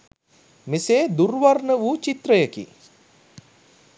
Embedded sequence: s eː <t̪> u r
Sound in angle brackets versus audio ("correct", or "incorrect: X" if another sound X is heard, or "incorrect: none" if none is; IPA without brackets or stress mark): incorrect: d̪